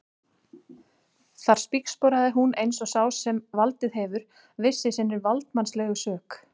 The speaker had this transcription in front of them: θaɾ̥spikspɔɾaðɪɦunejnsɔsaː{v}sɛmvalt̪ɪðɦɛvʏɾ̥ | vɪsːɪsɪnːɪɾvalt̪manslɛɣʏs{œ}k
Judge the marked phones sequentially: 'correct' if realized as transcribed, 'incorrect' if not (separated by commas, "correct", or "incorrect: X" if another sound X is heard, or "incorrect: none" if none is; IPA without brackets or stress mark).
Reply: incorrect: w, incorrect: œː